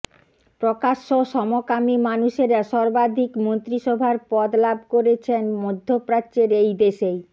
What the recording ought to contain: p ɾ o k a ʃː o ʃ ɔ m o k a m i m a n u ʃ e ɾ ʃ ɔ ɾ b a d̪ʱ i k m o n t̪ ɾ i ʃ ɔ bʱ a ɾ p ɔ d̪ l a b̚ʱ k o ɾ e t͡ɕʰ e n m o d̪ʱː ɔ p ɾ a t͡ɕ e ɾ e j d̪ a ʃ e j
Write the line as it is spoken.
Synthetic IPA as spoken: p ɾ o k a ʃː o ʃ ɔ m o k a m i m a n u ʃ e ɾ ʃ ɔ ɾ b a d̪ʱ i k m o n t̪ ɾ i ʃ ɔ bʱ a ɾ p ɔ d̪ l a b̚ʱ k o ɾ e t͡ɕʰ e n m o d̪ʱː o p ɾ a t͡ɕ e ɾ e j d̪ e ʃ e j